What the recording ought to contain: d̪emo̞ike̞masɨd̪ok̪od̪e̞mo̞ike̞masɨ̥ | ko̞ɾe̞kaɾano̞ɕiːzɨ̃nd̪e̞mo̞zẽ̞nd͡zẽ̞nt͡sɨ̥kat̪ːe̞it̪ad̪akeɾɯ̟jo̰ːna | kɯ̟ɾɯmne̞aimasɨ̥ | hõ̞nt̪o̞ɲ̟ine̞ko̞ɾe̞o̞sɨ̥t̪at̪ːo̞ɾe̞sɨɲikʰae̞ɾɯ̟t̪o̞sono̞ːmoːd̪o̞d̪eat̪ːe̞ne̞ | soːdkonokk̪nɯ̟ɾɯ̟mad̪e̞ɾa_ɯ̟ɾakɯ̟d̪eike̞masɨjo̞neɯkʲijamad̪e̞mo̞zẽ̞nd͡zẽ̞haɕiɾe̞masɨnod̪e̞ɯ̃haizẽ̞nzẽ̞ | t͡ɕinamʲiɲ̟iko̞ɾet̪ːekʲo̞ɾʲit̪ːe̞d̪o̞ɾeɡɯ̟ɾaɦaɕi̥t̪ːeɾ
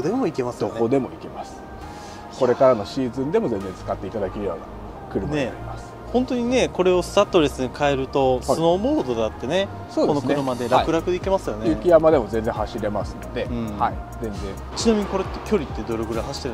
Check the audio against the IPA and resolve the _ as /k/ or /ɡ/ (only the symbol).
k